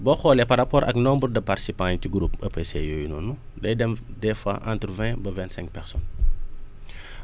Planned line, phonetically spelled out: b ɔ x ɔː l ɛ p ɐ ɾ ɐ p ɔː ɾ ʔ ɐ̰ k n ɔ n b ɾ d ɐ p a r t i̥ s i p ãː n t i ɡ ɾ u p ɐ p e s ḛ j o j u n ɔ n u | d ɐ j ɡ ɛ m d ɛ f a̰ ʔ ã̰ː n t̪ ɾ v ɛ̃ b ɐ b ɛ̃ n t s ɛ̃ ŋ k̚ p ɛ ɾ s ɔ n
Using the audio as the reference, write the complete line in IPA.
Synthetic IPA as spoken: b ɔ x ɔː l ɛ p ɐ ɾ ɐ p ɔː ɾ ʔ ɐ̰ k n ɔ m b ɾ d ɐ p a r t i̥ s i p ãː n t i ɡ ɾ u p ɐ p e s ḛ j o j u n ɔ n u | d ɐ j d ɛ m d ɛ f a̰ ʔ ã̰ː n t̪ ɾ v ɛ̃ b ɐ v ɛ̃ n t s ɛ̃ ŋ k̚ p ɛ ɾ s ɔ n